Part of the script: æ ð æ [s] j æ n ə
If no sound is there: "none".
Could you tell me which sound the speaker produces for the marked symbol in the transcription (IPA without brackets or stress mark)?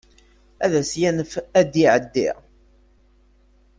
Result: s